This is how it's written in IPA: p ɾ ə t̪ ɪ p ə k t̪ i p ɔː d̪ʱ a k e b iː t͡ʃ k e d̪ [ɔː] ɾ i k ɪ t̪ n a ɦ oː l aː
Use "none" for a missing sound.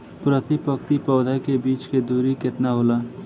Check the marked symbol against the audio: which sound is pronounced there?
uː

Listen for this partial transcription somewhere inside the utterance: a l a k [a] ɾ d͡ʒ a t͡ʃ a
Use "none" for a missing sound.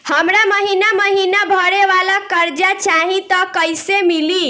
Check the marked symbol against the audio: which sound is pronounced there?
ə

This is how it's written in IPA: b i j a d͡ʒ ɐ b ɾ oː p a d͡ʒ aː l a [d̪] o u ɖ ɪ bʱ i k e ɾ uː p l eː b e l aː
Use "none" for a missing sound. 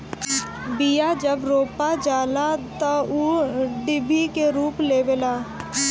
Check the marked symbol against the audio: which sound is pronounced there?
t̪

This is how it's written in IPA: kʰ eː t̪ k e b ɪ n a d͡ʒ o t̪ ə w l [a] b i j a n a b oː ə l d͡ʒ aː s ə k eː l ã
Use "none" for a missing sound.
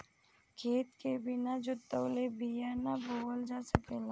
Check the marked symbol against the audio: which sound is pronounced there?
e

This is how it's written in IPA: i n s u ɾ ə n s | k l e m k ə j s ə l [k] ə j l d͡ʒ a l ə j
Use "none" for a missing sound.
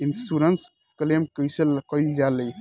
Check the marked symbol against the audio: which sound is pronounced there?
k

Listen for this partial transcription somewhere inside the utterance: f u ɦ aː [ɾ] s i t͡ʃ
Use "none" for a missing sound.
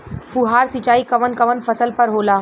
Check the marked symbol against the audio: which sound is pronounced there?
ɾ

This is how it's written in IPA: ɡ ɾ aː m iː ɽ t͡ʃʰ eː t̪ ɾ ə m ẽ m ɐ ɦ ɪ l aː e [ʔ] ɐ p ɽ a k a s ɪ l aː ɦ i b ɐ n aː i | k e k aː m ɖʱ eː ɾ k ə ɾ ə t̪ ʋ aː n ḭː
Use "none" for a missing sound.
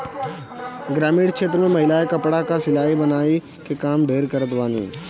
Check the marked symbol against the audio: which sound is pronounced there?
k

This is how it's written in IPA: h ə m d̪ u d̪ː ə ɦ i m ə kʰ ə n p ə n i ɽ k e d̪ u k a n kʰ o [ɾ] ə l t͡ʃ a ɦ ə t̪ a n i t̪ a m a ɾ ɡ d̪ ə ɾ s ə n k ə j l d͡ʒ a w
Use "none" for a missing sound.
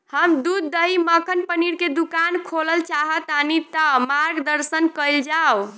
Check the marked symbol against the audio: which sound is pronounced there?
l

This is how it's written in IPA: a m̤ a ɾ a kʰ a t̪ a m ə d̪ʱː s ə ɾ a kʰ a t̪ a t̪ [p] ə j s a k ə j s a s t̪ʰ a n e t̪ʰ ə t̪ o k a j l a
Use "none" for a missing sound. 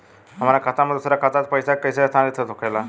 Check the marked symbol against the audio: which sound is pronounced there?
p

